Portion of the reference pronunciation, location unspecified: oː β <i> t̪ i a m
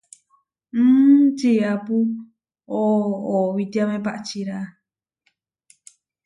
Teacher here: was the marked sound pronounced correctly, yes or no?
yes